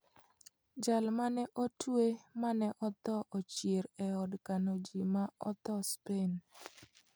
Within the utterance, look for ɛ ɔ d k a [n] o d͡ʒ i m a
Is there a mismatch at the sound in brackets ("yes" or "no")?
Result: no